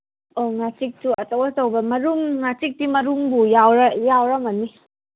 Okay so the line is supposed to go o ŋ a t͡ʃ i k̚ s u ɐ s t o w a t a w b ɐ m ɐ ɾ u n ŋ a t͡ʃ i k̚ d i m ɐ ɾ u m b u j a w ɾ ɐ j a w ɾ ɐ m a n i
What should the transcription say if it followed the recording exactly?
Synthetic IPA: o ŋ a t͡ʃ i k̚ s u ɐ t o w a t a w b ɐ m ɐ ɾ u m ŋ a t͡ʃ i k̚ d i m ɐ ɾ u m b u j a w ɾ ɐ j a w ɾ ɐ m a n i

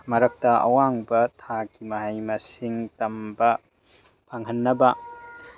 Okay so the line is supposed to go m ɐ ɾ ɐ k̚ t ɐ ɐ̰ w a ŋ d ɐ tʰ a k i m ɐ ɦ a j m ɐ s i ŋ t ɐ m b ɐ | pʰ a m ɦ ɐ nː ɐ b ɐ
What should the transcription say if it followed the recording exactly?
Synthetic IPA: m ɐ ɾ ɐ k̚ t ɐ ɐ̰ w a ŋ b ɐ tʰ a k i m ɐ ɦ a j m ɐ s i ŋ t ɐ m b ɐ | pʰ a ŋ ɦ ɐ nː ɐ b ɐ

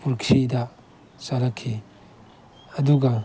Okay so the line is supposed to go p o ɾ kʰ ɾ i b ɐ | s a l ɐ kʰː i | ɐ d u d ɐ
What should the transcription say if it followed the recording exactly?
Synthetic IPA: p u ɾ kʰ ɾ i d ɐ | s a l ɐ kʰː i | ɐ d u ɡ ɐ

